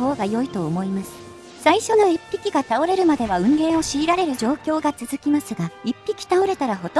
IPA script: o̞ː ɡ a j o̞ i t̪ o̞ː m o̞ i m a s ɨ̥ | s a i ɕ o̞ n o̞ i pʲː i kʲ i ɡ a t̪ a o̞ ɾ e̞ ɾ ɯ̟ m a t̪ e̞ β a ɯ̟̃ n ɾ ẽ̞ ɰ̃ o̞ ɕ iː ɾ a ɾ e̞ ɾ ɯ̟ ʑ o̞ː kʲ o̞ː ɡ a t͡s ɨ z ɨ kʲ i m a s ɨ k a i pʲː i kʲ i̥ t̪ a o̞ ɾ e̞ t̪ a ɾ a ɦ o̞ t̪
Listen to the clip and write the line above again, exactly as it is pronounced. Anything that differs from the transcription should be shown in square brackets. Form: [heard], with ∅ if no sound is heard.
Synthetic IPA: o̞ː ɡ a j o̞ i t̪ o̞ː m o̞ i m a s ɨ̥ | s a i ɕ o̞ n o̞ i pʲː i kʲ i ɡ a t̪ a o̞ ɾ e̞ ɾ ɯ̟ m a [d̪] e̞ β a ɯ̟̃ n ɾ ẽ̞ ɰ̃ o̞ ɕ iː ɾ a ɾ e̞ ɾ ɯ̟ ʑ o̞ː kʲ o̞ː ɡ a t͡s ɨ z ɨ kʲ i m a s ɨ [ɡ] a i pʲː i kʲ i̥ t̪ a o̞ ɾ e̞ t̪ a ɾ a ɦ o̞ t̪